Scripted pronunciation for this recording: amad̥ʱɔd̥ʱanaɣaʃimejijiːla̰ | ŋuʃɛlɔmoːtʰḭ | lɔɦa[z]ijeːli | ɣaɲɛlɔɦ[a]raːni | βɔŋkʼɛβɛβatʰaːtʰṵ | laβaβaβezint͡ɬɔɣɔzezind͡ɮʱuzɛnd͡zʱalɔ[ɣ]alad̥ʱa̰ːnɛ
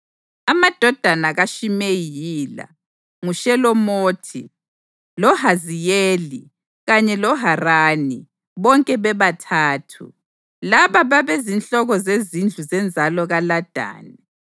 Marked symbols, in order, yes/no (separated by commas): yes, yes, yes